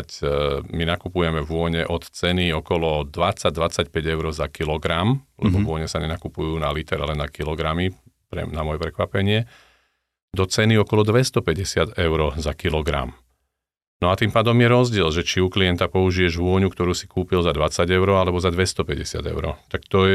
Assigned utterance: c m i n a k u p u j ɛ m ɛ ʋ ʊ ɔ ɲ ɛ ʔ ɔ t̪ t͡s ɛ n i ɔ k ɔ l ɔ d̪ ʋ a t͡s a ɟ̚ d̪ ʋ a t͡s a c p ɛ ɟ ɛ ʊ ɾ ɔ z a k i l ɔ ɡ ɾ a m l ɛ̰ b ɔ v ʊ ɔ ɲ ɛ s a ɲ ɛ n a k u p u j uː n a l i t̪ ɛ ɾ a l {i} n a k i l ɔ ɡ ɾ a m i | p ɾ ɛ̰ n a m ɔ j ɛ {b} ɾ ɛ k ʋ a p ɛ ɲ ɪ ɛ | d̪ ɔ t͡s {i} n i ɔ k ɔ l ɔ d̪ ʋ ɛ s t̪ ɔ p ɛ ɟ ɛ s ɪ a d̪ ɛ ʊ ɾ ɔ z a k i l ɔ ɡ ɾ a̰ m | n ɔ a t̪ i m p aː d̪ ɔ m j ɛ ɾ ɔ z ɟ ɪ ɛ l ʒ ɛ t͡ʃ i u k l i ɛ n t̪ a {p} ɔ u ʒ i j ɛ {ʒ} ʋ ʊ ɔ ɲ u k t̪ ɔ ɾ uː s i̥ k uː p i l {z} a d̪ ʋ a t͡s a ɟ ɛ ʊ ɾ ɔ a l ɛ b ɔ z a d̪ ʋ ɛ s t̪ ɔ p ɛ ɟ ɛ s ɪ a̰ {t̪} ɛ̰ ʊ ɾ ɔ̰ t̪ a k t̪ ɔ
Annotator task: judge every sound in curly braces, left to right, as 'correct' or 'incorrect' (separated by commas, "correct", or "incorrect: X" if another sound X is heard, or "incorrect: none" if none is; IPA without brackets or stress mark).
incorrect: ɛ, incorrect: p, incorrect: ɛ, correct, correct, correct, incorrect: d̪